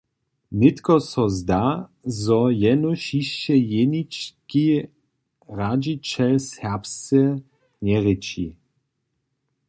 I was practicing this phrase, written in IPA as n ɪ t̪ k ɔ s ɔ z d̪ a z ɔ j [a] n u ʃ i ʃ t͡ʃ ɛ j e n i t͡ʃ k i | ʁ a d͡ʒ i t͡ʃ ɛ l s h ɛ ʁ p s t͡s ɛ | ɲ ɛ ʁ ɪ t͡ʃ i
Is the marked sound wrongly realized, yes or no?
yes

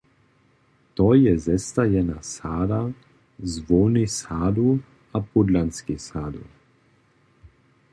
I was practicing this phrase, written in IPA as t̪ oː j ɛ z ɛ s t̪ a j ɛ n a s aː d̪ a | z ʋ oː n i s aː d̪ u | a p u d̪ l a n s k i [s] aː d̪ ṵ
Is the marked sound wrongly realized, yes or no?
no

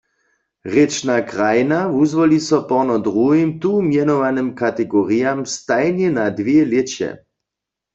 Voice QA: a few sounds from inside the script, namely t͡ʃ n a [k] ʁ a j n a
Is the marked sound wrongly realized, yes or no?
no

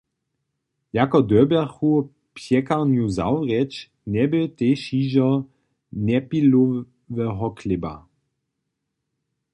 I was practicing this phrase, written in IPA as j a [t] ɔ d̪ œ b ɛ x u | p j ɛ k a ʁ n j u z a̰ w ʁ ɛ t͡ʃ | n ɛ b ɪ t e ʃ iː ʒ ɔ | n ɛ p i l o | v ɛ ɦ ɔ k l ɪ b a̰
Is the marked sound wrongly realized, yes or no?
yes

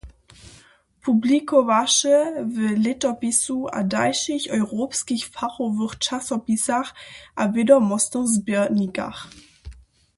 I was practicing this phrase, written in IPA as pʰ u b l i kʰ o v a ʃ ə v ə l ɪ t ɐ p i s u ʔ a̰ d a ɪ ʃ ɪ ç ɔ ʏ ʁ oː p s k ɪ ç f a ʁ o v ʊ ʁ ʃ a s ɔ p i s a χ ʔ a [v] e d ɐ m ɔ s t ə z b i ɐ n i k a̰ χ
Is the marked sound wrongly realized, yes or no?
no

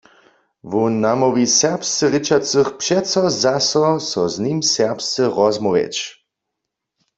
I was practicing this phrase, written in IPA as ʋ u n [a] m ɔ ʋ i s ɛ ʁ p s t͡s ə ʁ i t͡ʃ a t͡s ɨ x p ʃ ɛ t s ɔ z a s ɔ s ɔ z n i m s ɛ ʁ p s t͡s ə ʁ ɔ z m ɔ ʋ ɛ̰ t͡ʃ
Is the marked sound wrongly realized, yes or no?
no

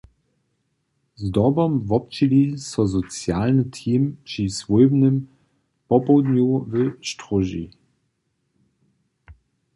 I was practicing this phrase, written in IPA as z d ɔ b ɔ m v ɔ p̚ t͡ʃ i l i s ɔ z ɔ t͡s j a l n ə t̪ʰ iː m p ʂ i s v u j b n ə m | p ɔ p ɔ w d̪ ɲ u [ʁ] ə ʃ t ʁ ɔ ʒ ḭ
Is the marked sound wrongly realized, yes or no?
yes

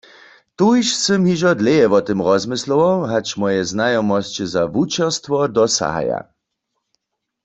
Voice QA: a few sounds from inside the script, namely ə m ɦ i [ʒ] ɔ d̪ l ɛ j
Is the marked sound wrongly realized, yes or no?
no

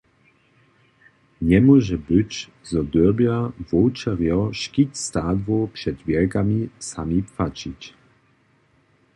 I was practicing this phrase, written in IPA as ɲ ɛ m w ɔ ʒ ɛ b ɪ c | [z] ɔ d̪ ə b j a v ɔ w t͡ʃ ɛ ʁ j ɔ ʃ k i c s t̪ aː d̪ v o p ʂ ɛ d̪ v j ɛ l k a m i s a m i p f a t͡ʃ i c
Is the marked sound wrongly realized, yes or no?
no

